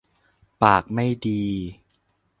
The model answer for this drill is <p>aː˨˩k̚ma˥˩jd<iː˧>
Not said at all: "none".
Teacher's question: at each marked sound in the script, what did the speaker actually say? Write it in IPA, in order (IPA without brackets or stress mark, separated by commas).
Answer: p, iː˧